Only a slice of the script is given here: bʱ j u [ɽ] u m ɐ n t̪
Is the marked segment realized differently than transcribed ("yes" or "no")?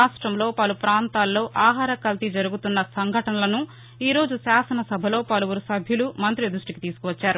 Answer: yes